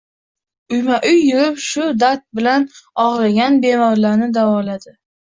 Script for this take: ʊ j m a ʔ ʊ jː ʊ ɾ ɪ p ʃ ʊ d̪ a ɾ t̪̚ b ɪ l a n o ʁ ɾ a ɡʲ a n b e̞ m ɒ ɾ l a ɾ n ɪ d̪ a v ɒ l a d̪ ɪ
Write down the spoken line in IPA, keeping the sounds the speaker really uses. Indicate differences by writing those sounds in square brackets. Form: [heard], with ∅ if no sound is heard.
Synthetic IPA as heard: ʊ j m a ʔ ʊ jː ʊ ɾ ɪ p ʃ ʊ d̪ a ɾ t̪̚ b ɪ l a n [ɒ] ʁ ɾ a ɡʲ a n b e̞ m ɒ ɾ l a ɾ n ɪ d̪ a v ɒ l a d̪ ɪ